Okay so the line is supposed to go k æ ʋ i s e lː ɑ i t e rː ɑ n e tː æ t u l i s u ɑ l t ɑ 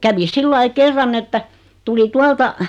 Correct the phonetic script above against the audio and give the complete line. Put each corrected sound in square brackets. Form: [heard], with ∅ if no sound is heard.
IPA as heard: k æ ʋ i s [i] lː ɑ i [k] e rː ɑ n e tː æ t u l i [t] u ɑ l t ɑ